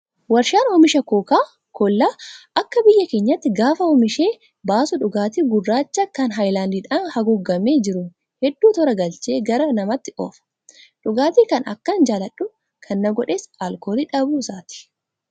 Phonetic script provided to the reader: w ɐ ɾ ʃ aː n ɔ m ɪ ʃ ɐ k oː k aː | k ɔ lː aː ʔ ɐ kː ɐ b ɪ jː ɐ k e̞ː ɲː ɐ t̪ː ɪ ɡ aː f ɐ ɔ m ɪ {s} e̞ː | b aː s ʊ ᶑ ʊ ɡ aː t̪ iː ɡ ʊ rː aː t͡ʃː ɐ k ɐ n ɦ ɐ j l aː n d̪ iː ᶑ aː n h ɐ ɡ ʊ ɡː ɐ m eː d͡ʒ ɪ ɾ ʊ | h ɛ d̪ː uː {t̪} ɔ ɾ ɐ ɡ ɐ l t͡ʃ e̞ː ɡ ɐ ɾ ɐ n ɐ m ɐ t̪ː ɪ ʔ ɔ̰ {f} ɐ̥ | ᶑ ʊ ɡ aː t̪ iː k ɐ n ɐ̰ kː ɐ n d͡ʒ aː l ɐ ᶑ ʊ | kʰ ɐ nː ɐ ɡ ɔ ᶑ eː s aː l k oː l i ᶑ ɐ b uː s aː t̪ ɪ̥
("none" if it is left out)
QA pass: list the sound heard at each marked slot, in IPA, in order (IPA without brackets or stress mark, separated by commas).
ʃ, t̪, f